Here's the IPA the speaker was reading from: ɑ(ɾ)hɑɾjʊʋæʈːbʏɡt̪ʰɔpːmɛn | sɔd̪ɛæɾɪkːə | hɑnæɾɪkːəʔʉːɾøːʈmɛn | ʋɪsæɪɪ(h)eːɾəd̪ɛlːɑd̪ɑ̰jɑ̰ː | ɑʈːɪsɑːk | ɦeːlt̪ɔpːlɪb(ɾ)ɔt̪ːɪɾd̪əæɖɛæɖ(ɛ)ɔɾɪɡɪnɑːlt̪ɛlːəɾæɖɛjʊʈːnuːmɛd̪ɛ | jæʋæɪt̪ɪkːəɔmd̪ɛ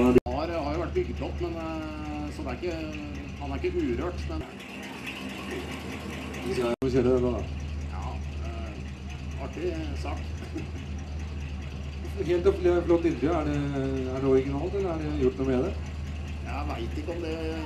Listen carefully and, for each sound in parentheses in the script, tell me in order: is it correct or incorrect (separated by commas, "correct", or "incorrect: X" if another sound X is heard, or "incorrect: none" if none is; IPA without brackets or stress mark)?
correct, incorrect: s, incorrect: l, correct